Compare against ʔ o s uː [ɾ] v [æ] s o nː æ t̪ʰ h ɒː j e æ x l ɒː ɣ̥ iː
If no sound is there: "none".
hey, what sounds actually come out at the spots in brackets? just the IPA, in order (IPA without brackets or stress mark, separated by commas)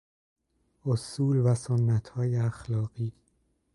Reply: l, æ